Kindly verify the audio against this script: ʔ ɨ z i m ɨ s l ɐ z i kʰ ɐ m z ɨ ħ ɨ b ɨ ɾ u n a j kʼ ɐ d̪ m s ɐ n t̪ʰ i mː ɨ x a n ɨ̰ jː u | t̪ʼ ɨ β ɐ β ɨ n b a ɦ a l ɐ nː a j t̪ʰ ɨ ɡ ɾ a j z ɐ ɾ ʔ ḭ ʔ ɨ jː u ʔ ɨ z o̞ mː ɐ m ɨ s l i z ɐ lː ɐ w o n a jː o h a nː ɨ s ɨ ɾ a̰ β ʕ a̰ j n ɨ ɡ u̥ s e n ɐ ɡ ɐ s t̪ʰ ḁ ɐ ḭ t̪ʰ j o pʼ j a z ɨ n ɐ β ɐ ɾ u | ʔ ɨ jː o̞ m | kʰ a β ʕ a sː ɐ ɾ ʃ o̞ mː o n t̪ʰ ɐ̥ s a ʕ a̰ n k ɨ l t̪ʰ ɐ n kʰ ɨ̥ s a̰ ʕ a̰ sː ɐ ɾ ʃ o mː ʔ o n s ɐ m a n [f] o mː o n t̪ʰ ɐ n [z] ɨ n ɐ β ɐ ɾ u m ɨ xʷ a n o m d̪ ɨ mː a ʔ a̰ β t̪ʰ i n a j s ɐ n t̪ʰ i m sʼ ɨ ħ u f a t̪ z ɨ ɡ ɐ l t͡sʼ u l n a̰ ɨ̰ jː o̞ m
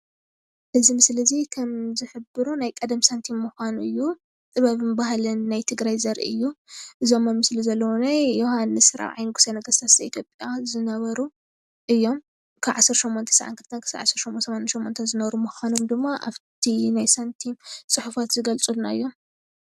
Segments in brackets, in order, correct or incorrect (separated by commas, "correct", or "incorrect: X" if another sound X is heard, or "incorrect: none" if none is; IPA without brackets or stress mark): incorrect: ʃ, correct